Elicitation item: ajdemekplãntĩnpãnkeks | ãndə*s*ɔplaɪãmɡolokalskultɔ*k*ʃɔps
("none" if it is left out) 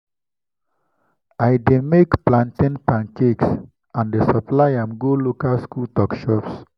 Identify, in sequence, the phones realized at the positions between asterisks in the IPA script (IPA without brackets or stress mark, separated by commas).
s, k